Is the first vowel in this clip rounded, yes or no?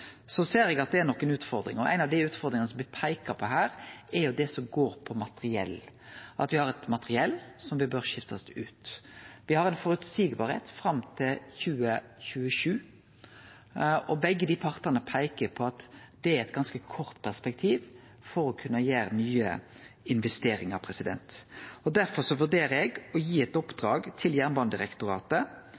yes